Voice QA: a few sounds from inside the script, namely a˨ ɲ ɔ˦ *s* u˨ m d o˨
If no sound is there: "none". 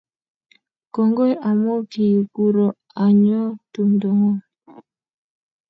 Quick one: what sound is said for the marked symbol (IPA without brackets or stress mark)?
t